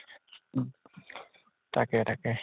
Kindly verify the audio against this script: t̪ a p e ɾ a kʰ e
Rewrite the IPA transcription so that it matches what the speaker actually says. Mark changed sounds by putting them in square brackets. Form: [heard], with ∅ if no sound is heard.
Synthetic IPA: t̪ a [k] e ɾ a [k] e